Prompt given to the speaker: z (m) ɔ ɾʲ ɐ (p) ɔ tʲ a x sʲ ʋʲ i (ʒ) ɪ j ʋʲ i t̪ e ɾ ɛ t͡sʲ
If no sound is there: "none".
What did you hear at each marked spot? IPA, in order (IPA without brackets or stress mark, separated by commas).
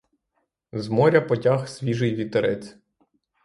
m, p, ʒ